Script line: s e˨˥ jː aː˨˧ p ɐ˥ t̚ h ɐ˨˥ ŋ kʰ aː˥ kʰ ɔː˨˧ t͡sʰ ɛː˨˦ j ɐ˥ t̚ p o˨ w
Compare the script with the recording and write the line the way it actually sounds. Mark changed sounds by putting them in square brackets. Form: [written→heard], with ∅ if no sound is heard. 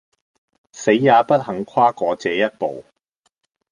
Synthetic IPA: s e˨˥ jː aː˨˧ p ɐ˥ t̚ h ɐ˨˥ ŋ kʰ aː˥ [kʰ→k] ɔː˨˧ [t͡sʰ→t͡s] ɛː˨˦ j ɐ˥ t̚ p o˨ w

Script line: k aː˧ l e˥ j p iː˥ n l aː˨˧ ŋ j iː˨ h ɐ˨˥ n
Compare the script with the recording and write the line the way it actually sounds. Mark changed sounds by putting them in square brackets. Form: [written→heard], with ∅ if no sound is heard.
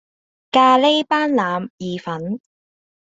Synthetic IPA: k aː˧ l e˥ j p [iː˥→aː˥] n l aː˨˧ [ŋ→m] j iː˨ [h→f] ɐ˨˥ n

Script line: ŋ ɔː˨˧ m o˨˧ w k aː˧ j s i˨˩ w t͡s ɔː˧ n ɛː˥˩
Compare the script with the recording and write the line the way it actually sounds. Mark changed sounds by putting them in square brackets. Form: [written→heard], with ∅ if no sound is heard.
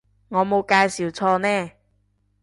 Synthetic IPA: ŋ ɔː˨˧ m o˨˧ w k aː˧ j s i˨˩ w [t͡s→t͡sʰ] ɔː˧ n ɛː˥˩

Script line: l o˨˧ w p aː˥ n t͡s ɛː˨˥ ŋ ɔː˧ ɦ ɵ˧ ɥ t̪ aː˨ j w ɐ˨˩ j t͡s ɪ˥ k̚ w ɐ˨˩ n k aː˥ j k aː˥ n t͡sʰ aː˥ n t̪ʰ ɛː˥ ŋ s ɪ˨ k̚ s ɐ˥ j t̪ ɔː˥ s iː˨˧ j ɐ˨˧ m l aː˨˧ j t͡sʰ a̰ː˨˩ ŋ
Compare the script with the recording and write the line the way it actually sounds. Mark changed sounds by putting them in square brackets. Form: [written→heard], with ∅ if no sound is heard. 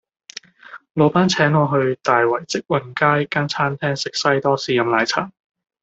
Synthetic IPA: l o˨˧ w p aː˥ n [t͡s→t͡sʰ] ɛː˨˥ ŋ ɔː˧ ɦ ɵ˧ ɥ t̪ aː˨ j w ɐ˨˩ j t͡s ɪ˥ k̚ w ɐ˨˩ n k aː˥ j k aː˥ n t͡sʰ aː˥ n t̪ʰ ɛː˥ ŋ s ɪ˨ k̚ s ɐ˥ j t̪ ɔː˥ s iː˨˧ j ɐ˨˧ m l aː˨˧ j t͡sʰ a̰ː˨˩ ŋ

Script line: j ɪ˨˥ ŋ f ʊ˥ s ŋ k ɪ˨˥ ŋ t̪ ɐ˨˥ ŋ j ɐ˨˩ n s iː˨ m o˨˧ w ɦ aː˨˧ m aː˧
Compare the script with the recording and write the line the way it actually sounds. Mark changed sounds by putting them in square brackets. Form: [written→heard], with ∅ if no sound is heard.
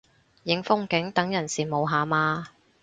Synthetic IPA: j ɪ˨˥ ŋ f ʊ˥ [s→∅] ŋ k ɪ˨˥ ŋ t̪ ɐ˨˥ ŋ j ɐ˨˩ n s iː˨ m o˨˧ w ɦ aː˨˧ m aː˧

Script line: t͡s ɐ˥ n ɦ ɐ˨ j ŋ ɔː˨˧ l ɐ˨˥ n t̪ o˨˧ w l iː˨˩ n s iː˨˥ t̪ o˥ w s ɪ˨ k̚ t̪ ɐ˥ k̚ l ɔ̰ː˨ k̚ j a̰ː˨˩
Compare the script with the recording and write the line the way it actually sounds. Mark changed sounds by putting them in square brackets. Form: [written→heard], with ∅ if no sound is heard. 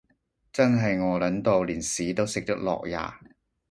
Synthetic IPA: t͡s ɐ˥ n ɦ ɐ˨ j ŋ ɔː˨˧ l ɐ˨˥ n t̪ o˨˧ w l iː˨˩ n s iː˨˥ t̪ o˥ w s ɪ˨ k̚ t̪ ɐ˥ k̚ l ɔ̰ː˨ k̚ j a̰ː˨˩

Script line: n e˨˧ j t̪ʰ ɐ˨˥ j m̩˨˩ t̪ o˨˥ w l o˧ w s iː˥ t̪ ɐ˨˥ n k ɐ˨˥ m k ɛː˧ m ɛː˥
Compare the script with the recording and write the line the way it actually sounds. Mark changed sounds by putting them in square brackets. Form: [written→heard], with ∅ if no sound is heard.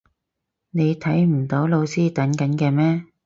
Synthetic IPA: n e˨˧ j t̪ʰ ɐ˨˥ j m̩˨˩ t̪ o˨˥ w l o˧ w s iː˥ t̪ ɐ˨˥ n k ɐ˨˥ [m→n] k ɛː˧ m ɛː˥

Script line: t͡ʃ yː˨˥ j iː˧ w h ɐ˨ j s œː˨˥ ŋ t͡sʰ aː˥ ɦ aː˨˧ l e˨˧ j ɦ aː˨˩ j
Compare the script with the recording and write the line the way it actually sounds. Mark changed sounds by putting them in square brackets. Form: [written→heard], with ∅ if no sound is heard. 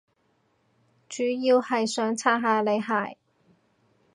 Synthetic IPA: t͡ʃ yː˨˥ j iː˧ w h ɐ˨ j s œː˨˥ ŋ t͡sʰ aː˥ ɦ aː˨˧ l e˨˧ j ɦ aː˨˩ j

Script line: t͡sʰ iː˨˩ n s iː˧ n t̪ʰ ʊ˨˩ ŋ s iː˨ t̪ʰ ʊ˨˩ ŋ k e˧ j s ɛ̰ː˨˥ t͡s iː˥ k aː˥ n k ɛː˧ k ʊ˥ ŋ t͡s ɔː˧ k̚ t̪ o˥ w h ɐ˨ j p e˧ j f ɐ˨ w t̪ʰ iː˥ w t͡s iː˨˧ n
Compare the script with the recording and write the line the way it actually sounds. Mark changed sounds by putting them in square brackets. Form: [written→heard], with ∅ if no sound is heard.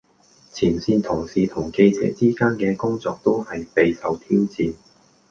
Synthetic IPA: t͡sʰ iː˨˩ n s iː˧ n t̪ʰ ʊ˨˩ ŋ s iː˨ t̪ʰ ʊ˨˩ ŋ k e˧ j [s→t͡s] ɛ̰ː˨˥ t͡s iː˥ k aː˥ n k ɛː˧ k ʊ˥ ŋ t͡s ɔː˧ k̚ t̪ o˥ w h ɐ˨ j p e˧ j [f→s] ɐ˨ w t̪ʰ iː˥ w t͡s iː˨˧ n

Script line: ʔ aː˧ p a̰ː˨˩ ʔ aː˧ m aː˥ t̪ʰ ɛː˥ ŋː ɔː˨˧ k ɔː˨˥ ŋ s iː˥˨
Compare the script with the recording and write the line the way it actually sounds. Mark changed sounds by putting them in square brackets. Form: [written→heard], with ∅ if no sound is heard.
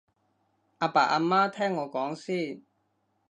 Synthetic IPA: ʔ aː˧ p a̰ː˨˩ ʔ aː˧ m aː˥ t̪ʰ ɛː˥ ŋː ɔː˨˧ k ɔː˨˥ ŋ s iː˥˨

